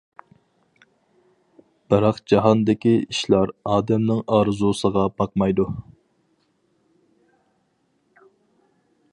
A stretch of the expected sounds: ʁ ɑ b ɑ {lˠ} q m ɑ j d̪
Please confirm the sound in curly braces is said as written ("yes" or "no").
no